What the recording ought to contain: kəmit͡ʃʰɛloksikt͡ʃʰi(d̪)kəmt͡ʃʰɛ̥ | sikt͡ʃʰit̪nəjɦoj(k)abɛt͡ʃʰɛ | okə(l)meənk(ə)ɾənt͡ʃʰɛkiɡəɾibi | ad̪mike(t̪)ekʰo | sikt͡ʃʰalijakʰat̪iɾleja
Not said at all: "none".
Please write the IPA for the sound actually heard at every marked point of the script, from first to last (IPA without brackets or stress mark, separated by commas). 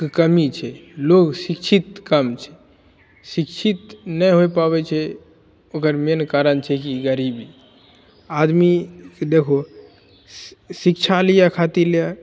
t̪, p, ɾ, a, d̪